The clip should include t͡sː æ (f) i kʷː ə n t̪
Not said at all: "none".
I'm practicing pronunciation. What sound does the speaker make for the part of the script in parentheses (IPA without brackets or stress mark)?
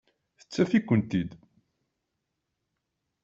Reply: f